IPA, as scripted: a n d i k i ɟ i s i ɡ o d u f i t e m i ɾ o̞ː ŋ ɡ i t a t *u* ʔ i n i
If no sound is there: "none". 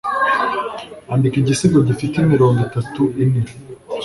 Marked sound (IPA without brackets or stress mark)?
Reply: u